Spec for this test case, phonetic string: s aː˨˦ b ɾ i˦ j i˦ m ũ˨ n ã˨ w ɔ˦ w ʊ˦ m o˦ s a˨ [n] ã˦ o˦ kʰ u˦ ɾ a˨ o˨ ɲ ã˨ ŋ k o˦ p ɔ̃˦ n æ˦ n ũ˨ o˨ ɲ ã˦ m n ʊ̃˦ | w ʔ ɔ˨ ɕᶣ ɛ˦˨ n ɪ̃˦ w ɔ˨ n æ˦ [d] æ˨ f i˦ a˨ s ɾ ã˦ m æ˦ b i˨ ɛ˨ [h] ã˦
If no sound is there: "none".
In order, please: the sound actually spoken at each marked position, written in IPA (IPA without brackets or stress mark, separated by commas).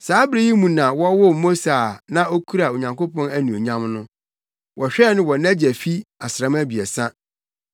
n, d͡ʑ, s